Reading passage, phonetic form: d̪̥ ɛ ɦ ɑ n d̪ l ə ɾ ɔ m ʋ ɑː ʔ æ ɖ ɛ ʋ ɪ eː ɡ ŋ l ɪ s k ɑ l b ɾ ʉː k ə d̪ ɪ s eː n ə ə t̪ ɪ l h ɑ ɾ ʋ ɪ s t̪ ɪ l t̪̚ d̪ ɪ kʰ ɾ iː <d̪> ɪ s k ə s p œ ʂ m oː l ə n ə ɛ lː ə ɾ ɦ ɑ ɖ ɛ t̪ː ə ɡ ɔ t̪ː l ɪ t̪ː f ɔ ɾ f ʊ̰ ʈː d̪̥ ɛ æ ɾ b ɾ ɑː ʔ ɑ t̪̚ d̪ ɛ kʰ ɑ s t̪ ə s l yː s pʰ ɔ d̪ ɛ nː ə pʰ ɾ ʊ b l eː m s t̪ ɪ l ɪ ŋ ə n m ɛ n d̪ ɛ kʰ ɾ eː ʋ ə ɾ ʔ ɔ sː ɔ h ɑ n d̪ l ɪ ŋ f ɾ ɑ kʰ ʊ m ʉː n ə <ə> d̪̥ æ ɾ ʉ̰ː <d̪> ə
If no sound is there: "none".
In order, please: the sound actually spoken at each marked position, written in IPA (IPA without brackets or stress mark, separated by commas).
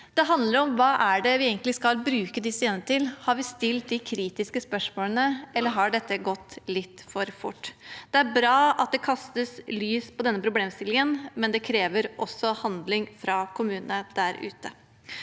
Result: t̪, ə, t̪